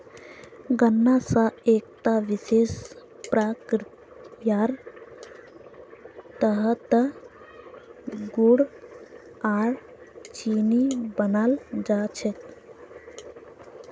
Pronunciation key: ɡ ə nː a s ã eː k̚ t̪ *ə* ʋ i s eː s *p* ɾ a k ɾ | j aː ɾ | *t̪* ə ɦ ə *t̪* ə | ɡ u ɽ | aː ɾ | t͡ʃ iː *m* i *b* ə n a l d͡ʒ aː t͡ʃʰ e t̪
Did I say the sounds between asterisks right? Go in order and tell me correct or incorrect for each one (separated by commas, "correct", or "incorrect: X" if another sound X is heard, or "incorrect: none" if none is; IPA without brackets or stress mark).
incorrect: a, correct, correct, correct, incorrect: n, correct